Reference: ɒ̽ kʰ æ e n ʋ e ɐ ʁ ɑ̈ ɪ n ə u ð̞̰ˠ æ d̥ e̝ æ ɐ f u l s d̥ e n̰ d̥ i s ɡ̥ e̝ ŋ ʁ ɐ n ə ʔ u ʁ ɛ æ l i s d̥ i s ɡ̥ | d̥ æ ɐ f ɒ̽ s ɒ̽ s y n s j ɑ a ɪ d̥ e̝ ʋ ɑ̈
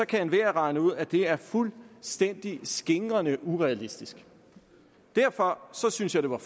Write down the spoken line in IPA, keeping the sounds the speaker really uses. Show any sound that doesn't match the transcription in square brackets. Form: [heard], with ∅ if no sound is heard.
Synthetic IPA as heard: ɒ̽ kʰ æ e n ʋ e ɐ ʁ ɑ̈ ɪ n ə u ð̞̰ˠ æ d̥ e̝ æ ɐ f u l s d̥ e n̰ d̥ i s ɡ̥ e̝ ŋ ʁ ɐ n ə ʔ u ʁ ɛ æ l i s d̥ i s ɡ̥ | d̥ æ ɐ f ɒ̽ s ɒ̽ s y n s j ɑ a ɪ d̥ e̝ ʋ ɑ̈